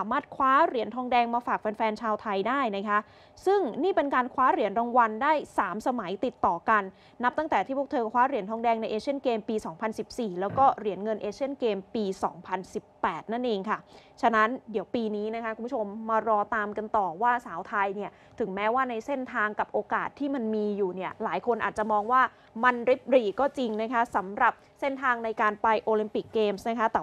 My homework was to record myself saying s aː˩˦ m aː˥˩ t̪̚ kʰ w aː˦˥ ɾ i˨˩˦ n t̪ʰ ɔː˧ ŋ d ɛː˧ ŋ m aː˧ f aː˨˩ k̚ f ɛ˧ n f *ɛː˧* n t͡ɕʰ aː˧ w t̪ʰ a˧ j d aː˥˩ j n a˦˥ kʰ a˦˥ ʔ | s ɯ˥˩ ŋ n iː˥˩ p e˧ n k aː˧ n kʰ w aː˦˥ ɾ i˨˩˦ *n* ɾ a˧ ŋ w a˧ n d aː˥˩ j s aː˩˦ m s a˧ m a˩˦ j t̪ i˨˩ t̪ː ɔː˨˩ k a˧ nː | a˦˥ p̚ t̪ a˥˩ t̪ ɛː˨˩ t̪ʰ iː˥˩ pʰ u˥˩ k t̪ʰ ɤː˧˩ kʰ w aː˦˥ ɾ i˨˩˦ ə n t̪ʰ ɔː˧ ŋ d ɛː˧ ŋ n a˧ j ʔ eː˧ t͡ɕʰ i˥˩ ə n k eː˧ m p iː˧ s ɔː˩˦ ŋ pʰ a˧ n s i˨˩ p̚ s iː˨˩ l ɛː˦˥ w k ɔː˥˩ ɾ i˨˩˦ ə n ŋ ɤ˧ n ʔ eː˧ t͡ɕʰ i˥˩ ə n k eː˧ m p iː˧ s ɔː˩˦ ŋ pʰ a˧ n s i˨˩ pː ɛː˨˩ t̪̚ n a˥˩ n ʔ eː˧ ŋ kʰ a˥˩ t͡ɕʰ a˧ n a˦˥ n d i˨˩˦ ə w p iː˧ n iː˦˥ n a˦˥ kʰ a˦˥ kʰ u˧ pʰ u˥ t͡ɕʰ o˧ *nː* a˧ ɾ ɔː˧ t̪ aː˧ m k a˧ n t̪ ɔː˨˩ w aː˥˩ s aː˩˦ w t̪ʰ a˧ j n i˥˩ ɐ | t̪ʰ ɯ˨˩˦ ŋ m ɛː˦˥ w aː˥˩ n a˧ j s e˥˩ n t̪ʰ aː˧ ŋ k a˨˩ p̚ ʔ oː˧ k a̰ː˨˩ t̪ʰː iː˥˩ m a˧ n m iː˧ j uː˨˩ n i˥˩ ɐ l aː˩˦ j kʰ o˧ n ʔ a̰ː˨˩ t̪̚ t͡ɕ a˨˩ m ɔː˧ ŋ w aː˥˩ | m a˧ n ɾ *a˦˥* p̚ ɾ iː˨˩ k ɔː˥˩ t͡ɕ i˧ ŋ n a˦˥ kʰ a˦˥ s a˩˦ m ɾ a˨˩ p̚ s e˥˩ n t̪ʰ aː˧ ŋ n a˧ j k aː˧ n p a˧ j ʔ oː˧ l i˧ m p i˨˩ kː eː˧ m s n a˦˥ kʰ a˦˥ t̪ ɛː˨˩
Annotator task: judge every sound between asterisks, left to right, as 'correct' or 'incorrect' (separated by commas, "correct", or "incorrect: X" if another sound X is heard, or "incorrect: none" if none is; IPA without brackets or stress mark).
correct, correct, incorrect: mː, incorrect: i˦˥